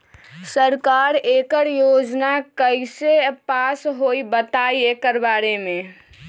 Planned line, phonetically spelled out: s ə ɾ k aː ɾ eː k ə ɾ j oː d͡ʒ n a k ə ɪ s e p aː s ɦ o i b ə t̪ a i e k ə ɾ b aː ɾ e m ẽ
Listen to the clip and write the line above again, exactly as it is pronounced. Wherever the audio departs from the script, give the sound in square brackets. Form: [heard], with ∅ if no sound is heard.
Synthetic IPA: s ə ɾ k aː ɾ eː k ə ɾ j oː d͡ʒ n a k ə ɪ s e p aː s ɦ o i b ə t̪ a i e k ə ɾ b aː ɾ e m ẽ